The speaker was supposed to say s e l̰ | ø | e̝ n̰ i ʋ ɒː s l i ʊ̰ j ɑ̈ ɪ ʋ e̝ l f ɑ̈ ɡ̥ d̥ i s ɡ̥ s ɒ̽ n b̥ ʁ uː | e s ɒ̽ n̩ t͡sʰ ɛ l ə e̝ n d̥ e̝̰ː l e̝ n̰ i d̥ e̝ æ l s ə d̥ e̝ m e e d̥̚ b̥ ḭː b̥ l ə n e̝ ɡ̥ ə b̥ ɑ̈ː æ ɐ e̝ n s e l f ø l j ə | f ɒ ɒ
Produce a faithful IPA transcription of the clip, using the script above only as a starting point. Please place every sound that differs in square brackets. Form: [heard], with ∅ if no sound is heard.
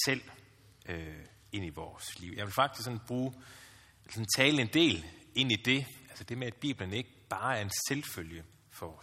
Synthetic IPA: s e l̰ | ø | e̝ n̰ i ʋ ɒː s l i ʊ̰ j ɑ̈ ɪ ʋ e̝ l f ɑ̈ ɡ̥ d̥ i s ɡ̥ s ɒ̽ n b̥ ʁ uː | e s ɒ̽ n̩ t͡sʰ [ɛː] l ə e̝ n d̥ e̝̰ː l e̝ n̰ i d̥ e̝ æ l s ə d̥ e̝ m e [æ] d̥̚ b̥ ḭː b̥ l ə n e̝ ɡ̥ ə b̥ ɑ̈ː æ ɐ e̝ n s e l f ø l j ə | f ɒ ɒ